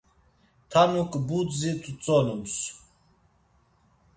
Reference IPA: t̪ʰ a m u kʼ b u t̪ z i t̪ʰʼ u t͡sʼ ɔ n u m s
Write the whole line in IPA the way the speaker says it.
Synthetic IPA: t̪ʰ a n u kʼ b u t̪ z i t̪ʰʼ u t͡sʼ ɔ n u m s